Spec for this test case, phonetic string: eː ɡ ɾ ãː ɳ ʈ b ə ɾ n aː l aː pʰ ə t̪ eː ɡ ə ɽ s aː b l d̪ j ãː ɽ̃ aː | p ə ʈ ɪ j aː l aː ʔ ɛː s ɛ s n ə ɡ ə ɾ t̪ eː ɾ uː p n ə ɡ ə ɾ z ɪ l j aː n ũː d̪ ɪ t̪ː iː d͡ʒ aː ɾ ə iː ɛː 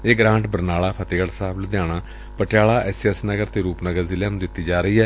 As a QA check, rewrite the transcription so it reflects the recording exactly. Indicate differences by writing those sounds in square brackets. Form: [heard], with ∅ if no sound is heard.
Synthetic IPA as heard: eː ɡ ɾ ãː ɳ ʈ b ə ɾ n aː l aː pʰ ə t̪ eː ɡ ə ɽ s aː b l d̪ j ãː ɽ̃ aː | p ə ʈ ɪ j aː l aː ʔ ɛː s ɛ s n ə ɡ ə ɾ t̪ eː ɾ uː p n ə ɡ ə ɾ z ɪ l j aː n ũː d̪ ɪ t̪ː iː d͡ʒ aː ɾ ə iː ɛː